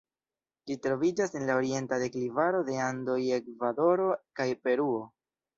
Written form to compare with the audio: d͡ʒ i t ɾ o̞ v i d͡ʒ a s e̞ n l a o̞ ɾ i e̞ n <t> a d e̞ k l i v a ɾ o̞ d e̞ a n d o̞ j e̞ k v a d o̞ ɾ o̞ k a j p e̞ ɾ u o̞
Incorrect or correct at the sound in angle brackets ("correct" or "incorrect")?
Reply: correct